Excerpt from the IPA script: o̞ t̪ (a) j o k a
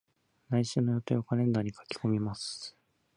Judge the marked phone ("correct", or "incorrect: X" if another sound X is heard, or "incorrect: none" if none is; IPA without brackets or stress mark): incorrect: e